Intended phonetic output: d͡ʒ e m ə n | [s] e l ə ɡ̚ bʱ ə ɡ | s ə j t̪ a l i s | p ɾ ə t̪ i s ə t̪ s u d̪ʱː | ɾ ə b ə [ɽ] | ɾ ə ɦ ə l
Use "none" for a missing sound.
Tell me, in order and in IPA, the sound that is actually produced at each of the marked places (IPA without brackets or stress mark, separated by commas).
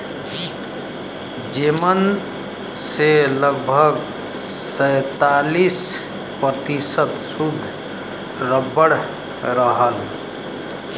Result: s, ɽ